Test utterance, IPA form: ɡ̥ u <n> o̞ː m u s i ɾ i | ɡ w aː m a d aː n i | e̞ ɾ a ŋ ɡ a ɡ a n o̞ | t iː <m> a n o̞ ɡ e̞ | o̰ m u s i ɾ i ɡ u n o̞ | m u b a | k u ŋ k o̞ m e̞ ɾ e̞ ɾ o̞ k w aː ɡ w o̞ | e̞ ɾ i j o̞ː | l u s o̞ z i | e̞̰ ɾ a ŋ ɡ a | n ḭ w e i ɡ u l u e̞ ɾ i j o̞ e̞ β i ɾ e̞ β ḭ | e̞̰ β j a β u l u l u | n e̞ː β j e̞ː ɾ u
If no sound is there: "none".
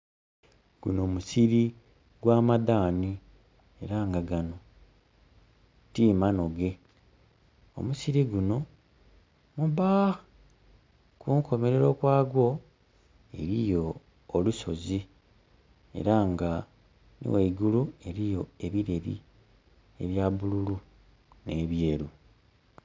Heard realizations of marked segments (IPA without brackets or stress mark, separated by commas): n, m